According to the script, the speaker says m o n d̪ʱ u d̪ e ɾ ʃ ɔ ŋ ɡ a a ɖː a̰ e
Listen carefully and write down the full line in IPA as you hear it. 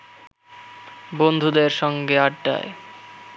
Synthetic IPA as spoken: b o n d̪ʱ u d̪ e ɾ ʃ ɔ ŋ ɡ e a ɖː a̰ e